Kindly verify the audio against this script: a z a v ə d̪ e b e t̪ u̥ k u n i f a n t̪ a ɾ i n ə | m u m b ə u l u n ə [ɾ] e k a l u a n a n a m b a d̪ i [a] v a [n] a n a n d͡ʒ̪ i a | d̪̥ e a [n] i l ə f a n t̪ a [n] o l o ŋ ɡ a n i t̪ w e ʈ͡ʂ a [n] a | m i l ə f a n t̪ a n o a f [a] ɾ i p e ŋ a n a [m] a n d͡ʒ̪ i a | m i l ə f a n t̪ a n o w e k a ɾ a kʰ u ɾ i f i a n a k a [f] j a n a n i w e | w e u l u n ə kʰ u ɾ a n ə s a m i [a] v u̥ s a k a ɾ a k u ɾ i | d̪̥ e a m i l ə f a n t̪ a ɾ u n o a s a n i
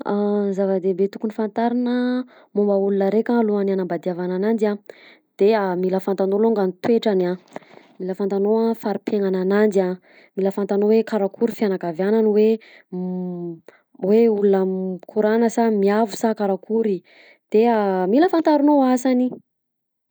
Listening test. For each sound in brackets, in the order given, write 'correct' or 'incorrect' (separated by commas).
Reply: correct, correct, correct, incorrect, correct, correct, correct, incorrect, incorrect, correct